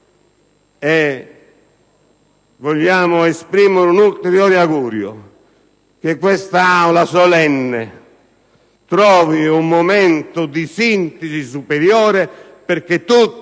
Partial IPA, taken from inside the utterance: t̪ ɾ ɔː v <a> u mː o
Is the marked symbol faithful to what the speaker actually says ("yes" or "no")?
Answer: no